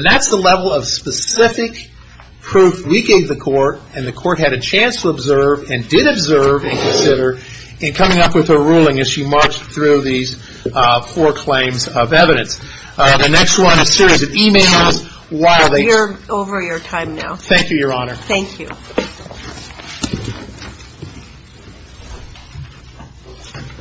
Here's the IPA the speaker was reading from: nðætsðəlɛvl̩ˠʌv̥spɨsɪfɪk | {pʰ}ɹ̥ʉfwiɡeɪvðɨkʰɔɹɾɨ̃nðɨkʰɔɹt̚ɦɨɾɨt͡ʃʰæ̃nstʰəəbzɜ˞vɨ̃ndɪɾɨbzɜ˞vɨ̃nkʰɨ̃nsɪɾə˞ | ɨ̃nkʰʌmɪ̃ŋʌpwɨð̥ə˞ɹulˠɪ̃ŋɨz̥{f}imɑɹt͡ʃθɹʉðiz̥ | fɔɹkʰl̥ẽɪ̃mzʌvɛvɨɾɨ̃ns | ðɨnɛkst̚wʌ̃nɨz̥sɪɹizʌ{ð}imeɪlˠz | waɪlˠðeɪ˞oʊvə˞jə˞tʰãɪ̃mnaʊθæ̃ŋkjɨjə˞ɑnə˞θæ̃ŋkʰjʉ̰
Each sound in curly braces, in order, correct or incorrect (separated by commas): correct, incorrect, incorrect